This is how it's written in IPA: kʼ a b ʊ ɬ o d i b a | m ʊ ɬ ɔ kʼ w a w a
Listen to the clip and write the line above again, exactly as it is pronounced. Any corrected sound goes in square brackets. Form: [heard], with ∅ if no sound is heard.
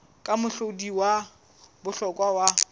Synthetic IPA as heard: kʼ a [m] ʊ ɬ o d i [w] a | [b] ʊ ɬ ɔ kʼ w a w a